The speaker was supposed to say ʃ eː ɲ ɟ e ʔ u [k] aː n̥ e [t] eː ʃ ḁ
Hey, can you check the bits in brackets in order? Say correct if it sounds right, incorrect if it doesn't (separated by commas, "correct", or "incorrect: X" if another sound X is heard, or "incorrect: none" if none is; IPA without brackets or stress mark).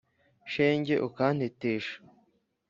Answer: correct, correct